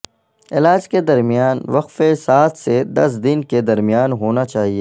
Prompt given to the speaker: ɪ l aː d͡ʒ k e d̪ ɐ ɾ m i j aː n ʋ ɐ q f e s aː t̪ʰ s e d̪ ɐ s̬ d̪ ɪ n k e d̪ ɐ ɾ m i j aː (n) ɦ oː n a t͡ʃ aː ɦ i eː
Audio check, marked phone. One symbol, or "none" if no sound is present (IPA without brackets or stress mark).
n